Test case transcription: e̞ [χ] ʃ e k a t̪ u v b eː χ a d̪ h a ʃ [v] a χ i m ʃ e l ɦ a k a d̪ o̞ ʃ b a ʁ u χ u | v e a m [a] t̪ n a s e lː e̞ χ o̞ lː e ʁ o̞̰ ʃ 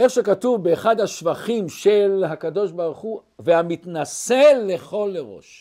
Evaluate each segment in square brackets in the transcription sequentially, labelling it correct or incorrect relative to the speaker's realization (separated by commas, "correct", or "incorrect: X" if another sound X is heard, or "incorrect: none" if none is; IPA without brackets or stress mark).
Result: correct, correct, incorrect: i